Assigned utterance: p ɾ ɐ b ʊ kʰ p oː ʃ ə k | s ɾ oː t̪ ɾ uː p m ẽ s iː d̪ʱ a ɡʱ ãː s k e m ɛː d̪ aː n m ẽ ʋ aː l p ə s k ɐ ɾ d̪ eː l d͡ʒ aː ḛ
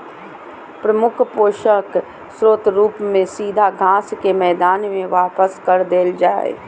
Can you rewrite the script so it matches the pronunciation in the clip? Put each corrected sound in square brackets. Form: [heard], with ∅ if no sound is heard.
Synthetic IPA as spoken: p ɾ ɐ [m] ʊ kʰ p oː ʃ ə k | s ɾ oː t̪ ɾ uː p m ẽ s iː d̪ʱ a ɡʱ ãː s k e m ɛː d̪ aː n m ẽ ʋ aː [∅] p ə s k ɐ ɾ d̪ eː l d͡ʒ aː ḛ